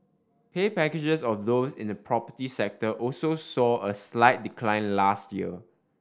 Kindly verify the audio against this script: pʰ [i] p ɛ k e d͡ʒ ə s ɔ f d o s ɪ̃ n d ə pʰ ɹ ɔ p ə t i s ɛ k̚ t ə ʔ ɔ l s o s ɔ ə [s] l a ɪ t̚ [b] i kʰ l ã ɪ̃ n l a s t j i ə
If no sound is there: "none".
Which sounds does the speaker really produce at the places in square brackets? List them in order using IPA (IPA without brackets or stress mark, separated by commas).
e, s, d